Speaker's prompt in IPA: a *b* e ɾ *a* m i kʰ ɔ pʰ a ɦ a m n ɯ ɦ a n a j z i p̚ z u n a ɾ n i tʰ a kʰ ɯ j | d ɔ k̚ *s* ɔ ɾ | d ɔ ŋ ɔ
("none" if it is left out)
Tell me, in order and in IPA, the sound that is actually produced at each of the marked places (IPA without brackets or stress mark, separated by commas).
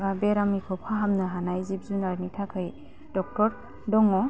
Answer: b, a, t